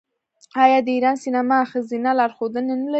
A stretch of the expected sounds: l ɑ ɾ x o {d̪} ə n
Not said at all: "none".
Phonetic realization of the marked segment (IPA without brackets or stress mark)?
d̪